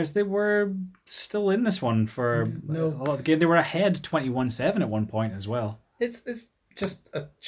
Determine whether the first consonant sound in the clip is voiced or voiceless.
voiced